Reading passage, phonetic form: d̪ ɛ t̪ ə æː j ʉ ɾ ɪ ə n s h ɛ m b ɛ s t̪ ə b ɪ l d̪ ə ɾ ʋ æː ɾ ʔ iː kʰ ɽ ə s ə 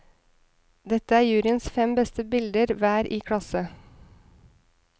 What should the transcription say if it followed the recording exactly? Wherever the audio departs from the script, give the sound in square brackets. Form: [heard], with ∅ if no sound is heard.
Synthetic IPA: d̪ ɛ t̪ ə æː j [ʉː] ɾ ɪ ə n s [f] ɛ m b ɛ s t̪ ə b ɪ l d̪ ə ɾ ʋ æː ɾ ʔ iː kʰ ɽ [ɑ] s ə